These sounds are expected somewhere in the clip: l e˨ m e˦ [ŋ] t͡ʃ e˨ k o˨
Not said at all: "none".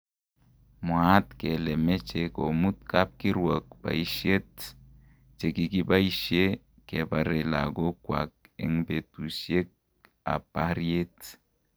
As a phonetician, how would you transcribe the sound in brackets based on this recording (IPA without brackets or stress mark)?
none